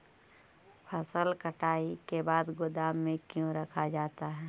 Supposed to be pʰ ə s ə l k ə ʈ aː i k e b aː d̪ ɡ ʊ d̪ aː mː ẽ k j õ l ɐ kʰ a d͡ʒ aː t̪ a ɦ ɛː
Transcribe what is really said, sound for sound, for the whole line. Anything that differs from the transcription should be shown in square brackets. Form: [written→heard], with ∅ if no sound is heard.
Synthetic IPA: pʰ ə s ə l k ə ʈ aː i k e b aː d̪ ɡ ʊ d̪ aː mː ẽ k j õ [l→ɾ] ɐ kʰ a d͡ʒ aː t̪ a ɦ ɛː